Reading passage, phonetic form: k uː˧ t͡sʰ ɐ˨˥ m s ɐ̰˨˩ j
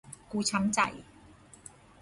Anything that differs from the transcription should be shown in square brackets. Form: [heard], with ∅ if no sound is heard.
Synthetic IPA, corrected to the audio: k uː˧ t͡sʰ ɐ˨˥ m [t͡s] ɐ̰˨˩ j